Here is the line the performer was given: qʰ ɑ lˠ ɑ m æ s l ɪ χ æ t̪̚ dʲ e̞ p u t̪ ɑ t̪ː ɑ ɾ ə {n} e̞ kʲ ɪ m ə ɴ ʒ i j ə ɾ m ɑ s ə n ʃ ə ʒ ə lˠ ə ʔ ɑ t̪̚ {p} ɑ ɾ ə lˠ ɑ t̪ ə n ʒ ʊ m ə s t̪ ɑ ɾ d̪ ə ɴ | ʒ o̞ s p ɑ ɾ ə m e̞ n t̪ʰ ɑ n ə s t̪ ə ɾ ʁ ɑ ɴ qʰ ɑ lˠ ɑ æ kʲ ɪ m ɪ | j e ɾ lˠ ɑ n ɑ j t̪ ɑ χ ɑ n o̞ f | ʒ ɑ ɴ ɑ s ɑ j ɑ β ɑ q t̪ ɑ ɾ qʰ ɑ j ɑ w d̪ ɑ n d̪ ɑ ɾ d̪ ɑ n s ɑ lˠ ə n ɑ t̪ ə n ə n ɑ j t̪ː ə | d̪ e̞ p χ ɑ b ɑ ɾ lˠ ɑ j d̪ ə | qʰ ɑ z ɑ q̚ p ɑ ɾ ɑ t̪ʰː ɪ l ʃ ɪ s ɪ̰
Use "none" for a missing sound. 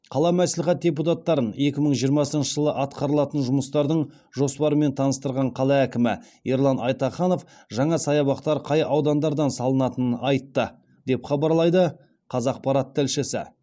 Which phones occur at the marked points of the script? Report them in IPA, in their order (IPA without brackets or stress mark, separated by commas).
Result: n, q